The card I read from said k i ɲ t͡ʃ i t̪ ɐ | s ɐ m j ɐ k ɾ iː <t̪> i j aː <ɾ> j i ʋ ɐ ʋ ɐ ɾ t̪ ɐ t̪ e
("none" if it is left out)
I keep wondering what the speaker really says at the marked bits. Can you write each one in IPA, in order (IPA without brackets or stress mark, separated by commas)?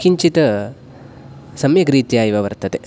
t̪, none